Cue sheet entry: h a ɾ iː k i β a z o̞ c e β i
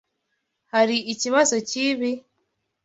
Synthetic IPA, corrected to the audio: h a ɾ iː c i β a z o̞ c i β i